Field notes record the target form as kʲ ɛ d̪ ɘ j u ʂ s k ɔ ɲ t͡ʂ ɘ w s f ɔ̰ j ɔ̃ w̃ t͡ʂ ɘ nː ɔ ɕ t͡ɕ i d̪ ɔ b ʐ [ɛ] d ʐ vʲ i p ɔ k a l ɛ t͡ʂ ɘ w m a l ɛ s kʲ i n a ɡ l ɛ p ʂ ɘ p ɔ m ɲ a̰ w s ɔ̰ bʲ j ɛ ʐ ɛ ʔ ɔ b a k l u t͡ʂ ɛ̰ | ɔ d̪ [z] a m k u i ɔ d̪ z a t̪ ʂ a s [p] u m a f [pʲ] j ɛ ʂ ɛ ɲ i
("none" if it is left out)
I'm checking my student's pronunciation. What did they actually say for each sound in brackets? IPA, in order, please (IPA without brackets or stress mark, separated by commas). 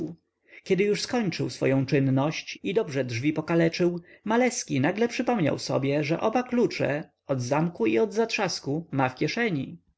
ɛ, z, k, kʲ